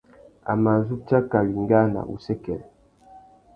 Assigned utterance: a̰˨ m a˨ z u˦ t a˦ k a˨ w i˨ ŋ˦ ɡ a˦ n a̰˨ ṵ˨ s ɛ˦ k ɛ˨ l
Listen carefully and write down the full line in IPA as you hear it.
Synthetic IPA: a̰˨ m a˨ z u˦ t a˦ k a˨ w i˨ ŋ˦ ɡ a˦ n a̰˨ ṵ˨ s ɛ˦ k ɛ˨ l